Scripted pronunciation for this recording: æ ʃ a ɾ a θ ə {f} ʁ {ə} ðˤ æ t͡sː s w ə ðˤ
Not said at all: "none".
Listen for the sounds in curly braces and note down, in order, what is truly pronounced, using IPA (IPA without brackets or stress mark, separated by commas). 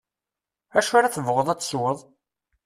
v, ə